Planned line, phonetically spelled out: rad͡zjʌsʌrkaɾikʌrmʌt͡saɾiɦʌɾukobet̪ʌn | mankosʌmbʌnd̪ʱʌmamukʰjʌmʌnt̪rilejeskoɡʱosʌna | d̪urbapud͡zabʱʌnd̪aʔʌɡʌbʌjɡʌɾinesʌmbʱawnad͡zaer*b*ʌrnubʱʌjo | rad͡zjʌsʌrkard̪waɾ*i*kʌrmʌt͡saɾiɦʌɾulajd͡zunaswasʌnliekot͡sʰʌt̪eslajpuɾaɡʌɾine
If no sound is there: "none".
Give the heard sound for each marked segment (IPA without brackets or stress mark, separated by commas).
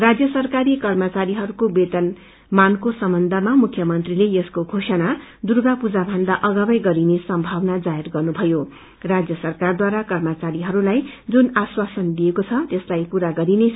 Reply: ɡ, a